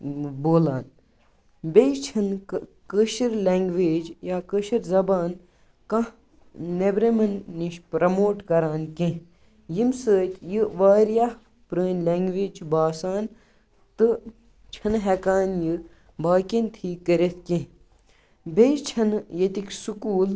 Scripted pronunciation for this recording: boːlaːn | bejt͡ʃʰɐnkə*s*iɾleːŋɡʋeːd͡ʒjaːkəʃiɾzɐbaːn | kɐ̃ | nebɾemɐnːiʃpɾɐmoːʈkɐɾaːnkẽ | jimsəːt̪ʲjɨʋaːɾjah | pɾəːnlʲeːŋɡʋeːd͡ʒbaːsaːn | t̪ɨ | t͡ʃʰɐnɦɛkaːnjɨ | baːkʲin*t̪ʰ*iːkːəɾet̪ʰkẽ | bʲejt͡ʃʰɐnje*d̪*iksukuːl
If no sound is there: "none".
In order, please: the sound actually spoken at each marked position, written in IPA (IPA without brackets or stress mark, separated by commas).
ʃ, t̪ʰ, t̪